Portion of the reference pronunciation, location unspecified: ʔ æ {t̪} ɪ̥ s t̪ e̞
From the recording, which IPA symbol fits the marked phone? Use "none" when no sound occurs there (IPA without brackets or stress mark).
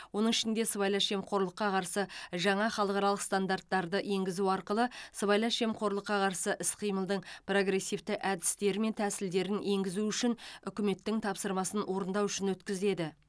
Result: d̪